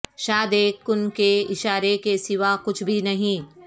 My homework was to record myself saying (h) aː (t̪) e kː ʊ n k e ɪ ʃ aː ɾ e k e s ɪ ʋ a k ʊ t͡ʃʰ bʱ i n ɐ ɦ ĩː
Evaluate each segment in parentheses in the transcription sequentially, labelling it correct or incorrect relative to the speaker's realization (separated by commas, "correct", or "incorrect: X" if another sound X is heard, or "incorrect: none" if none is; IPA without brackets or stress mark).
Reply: incorrect: ʃ, incorrect: d̪